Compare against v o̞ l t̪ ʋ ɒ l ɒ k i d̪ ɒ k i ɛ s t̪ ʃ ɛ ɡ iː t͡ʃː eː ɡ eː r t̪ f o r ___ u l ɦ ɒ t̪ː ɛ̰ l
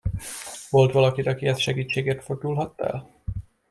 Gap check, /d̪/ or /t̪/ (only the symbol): d̪